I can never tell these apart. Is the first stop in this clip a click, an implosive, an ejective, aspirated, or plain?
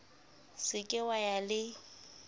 ejective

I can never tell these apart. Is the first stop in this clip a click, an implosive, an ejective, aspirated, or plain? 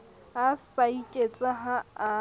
ejective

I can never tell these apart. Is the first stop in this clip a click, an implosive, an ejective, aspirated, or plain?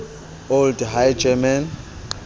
plain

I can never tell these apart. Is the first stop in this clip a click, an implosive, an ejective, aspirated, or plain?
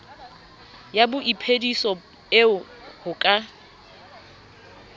plain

